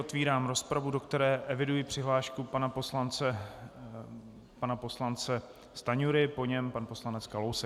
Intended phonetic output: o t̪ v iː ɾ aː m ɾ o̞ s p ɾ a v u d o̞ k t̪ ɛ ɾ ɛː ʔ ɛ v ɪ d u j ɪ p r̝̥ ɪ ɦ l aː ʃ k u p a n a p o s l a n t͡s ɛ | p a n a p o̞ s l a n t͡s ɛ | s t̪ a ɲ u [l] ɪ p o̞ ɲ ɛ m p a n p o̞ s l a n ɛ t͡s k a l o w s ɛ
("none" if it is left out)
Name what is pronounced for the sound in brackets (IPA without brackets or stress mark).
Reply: ɾ